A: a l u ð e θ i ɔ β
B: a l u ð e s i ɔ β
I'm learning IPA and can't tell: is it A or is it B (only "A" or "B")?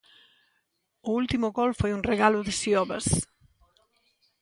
B